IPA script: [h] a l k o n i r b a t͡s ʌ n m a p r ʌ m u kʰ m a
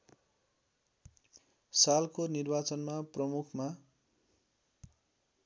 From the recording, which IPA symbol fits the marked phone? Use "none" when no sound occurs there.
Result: s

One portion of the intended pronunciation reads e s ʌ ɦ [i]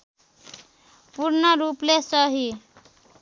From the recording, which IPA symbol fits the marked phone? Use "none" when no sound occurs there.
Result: i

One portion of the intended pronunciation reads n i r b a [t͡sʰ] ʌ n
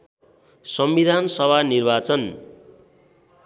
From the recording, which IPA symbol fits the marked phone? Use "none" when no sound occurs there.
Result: t͡s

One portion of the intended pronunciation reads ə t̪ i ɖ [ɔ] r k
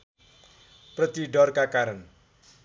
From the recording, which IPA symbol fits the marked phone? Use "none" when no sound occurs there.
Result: ɔ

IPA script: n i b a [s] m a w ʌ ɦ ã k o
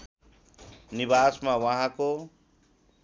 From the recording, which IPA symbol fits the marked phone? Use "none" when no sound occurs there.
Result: s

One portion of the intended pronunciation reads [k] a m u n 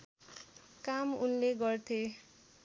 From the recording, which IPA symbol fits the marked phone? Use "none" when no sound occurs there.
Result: k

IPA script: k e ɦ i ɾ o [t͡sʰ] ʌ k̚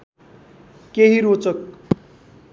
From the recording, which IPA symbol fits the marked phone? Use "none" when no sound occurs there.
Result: t͡s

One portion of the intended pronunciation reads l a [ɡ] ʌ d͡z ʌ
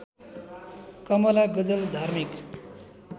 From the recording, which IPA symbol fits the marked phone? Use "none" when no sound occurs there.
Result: ɡ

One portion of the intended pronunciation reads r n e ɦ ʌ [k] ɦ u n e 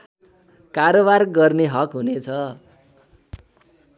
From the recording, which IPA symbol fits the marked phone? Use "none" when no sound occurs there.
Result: k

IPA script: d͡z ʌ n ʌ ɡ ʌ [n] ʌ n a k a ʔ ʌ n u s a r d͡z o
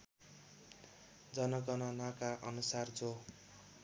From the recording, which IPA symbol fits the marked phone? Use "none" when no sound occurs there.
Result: n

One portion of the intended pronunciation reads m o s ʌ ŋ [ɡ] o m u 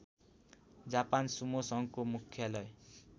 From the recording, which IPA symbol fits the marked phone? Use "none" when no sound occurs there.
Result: k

